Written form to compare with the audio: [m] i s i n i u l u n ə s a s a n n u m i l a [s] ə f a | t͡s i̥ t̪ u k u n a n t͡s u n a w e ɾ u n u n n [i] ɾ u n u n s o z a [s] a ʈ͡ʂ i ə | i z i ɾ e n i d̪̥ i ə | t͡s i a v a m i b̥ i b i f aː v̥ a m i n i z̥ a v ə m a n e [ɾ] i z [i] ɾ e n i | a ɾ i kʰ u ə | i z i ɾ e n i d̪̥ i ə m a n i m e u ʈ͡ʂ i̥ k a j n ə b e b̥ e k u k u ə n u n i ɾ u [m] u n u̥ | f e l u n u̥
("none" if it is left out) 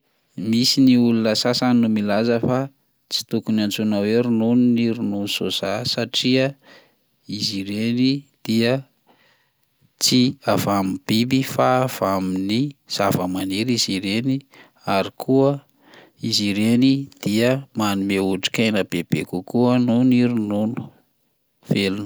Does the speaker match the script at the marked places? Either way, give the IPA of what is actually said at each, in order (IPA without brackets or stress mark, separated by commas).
m, z, i, s, ɾ, i, n